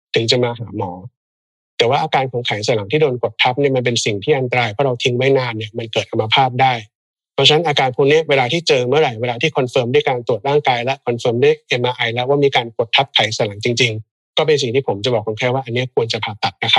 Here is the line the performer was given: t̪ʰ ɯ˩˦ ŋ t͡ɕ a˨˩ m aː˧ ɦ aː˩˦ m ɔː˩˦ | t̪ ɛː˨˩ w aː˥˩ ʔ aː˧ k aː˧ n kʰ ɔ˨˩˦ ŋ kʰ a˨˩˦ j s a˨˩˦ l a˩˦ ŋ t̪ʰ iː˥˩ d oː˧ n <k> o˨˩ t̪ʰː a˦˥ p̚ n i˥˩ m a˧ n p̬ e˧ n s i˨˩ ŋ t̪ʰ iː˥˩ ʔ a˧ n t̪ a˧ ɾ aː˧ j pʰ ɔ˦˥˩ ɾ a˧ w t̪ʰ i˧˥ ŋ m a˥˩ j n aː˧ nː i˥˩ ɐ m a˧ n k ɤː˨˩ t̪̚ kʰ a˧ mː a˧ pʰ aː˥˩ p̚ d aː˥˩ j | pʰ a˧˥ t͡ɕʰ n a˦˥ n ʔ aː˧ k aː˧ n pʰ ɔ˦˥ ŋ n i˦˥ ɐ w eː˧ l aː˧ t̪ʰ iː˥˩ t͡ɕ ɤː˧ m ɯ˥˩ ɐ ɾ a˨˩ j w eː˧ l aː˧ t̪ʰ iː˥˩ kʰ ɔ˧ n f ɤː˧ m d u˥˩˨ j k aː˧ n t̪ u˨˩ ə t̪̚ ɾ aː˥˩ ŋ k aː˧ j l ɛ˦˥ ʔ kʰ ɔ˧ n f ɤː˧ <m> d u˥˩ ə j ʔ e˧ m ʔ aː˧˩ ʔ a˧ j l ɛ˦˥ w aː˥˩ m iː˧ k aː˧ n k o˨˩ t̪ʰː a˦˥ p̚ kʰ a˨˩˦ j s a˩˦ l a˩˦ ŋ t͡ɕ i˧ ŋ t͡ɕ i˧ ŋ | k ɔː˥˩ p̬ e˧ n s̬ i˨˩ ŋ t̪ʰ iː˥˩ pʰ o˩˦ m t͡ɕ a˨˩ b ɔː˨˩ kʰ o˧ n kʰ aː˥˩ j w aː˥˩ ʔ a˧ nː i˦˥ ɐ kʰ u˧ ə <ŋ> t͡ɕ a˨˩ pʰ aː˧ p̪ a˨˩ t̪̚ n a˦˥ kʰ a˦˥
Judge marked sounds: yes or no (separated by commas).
yes, yes, no